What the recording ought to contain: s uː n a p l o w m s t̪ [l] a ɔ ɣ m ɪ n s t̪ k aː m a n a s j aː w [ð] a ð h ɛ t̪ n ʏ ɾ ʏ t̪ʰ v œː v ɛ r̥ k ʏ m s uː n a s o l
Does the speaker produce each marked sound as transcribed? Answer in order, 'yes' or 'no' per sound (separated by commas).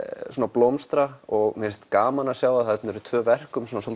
no, yes